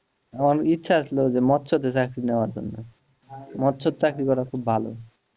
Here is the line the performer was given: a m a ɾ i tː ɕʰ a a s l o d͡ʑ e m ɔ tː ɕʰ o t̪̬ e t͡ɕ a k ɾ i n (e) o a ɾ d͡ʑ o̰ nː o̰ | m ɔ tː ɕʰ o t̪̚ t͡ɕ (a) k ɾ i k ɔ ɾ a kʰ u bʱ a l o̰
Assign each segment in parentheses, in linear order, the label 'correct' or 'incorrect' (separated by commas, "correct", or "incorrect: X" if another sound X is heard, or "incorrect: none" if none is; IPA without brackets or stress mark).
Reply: correct, correct